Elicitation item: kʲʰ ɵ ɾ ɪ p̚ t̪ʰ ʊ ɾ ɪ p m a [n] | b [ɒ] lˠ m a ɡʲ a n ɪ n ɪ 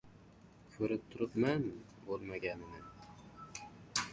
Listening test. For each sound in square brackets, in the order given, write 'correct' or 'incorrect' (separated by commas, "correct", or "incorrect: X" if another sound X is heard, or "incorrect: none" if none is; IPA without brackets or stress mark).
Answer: correct, incorrect: o